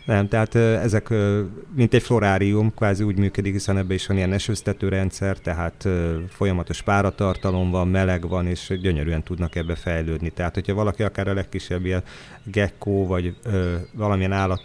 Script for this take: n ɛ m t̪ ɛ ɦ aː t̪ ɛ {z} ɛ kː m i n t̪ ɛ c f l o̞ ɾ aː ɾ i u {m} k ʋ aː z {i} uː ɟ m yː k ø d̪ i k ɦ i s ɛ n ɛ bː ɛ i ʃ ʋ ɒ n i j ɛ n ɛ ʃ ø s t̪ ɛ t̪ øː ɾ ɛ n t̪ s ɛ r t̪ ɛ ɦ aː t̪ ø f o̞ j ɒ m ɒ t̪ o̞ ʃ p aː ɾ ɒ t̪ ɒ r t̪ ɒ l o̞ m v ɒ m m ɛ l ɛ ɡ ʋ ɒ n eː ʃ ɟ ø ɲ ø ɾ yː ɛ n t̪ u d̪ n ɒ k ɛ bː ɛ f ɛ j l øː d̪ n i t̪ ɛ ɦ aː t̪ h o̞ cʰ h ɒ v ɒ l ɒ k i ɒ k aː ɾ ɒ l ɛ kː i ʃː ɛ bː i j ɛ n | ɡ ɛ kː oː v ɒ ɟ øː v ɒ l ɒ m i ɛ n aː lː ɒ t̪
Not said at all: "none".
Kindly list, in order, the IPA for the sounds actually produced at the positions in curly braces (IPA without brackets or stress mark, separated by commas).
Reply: z, m, i